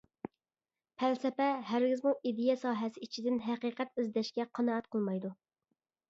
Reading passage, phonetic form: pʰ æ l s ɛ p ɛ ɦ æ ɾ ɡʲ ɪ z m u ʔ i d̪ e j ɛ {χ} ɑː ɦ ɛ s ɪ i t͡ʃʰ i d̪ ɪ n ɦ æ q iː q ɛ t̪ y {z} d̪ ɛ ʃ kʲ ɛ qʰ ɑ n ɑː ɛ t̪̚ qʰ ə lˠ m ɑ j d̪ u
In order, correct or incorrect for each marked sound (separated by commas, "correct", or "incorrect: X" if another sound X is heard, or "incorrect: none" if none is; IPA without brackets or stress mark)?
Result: incorrect: s, correct